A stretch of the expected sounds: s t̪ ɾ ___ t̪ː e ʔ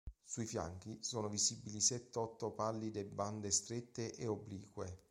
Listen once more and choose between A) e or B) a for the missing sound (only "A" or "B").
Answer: A